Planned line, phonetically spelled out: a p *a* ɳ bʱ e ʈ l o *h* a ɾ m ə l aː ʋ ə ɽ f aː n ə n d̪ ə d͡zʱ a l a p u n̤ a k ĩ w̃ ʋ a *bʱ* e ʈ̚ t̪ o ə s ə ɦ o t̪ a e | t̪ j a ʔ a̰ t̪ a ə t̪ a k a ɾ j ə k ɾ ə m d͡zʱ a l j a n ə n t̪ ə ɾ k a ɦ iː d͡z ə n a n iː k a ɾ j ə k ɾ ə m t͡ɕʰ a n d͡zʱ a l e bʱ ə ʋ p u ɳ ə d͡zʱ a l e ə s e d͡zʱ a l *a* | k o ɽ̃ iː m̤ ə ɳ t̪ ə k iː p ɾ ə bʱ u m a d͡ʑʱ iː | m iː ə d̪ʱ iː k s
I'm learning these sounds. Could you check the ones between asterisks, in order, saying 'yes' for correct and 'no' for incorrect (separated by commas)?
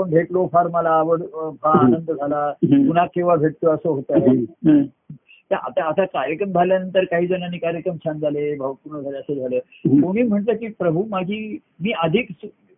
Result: no, no, yes, no